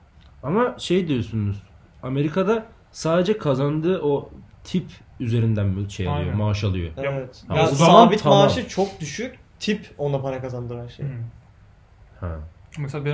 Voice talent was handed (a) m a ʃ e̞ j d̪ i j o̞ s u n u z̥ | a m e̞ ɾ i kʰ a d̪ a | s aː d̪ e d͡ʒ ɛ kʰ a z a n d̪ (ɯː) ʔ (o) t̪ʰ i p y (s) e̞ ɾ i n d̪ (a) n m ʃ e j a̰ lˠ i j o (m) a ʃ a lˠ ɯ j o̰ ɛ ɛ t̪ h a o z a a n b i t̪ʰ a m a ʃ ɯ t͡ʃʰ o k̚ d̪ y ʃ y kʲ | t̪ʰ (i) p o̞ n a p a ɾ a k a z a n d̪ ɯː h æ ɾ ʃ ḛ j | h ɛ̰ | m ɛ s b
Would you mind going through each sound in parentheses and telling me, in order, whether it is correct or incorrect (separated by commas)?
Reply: correct, correct, correct, incorrect, incorrect, correct, correct